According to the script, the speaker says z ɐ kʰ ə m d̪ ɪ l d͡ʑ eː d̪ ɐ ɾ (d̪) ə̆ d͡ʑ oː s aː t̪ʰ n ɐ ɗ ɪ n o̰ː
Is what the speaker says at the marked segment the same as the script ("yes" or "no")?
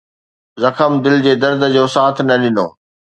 yes